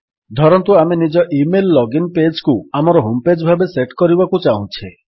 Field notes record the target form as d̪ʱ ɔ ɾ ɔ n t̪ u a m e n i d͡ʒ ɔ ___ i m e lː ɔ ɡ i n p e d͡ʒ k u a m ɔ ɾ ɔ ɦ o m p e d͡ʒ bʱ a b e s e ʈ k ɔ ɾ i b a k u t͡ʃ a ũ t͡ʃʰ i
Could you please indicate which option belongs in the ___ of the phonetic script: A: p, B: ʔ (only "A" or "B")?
B